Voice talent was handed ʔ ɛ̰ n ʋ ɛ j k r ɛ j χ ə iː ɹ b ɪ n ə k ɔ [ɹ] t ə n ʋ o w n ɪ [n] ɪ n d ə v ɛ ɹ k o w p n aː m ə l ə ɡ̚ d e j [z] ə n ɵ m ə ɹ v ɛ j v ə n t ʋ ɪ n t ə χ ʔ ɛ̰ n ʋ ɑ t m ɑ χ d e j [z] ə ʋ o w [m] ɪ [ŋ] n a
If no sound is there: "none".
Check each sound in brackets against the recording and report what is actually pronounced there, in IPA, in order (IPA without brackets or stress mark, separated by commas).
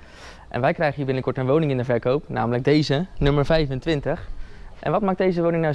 ɹ, ŋ, z, z, n, ŋ